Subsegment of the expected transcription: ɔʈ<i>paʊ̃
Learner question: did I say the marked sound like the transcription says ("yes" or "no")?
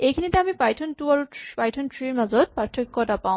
no